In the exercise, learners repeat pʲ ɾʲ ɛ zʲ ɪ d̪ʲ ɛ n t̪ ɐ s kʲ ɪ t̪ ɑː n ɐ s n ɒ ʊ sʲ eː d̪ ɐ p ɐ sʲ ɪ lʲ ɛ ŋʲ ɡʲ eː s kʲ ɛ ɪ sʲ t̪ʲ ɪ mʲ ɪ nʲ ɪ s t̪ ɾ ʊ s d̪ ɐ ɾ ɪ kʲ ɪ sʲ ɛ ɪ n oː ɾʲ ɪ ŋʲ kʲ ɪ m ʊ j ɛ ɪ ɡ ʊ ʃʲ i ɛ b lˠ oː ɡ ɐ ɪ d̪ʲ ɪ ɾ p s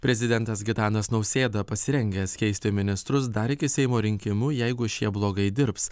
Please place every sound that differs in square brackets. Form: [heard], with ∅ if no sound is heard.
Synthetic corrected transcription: pʲ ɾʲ ɛ zʲ ɪ d̪ʲ ɛ n t̪ ɐ s [ɡʲ] ɪ t̪ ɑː n ɐ s n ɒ ʊ sʲ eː d̪ ɐ p ɐ sʲ ɪ [ɾʲ] ɛ ŋʲ ɡʲ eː s kʲ ɛ ɪ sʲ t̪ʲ ɪ mʲ ɪ nʲ ɪ s t̪ ɾ ʊ s d̪ ɐ ɾ ɪ kʲ ɪ sʲ ɛ ɪ [m] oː ɾʲ ɪ ŋʲ kʲ ɪ m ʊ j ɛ ɪ ɡ ʊ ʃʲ i ɛ b lˠ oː ɡ ɐ ɪ d̪ʲ ɪ ɾ p s